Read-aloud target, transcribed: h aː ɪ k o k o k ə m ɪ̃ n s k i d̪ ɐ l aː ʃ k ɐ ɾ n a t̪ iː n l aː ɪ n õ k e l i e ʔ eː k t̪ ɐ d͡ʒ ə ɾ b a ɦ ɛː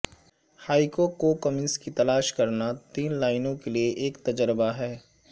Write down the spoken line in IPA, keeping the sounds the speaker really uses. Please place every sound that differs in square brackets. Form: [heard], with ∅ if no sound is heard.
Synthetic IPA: h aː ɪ k o k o k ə m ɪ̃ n s k i [t̪] ɐ l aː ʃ k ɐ ɾ n a t̪ iː n l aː ɪ n õ k e l i e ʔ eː k t̪ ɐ d͡ʒ ə ɾ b a ɦ ɛː